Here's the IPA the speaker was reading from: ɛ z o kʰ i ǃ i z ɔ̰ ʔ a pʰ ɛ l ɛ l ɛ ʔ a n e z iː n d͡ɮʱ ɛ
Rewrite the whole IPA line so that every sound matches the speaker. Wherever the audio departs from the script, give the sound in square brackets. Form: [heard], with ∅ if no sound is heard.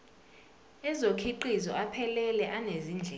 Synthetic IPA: ɛ z o kʰ i ǃ i z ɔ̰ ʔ a pʰ ɛ l ɛ l ɛ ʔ a n e z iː n d͡ɮʱ ɛ